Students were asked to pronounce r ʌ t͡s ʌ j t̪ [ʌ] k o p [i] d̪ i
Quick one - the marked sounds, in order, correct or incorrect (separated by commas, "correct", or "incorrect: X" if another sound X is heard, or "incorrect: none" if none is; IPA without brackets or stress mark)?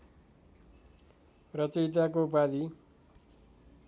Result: incorrect: a, incorrect: a